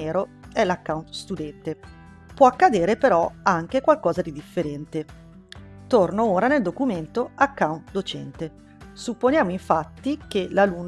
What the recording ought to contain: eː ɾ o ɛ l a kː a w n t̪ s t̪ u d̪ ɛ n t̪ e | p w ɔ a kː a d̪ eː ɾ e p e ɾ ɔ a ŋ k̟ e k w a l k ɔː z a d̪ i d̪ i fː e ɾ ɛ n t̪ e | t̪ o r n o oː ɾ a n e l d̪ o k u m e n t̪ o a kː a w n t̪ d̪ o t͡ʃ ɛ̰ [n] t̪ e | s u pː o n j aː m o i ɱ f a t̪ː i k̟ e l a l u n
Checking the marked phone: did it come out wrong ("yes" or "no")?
no